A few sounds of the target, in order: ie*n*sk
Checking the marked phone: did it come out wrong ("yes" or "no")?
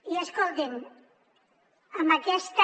yes